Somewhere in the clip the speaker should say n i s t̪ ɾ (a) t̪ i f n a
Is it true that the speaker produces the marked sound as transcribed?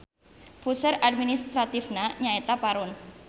yes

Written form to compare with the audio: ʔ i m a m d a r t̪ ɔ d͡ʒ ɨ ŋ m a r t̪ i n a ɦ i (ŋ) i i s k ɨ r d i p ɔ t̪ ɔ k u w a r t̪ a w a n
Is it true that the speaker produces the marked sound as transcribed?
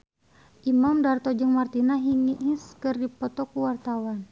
yes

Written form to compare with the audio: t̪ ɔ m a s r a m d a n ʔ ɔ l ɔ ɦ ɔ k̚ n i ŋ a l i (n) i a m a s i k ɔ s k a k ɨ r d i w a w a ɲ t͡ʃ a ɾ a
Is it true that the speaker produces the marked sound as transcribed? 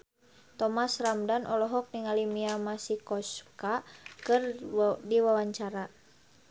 no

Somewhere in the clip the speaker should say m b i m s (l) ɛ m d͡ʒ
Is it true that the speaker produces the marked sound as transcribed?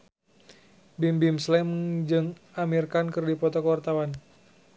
yes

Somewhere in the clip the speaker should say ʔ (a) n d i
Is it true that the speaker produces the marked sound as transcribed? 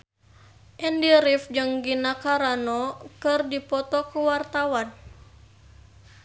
no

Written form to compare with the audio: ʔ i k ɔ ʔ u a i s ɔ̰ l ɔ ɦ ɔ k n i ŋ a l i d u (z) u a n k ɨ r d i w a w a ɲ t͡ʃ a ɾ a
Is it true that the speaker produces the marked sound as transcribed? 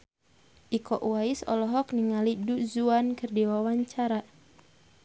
yes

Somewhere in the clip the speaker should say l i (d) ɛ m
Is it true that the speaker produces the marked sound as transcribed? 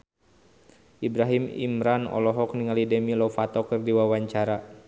yes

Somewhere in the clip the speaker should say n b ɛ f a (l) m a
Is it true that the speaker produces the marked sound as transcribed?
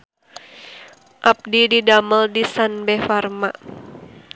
no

